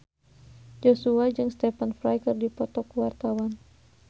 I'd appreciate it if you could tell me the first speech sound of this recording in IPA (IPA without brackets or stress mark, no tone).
d͡ʒ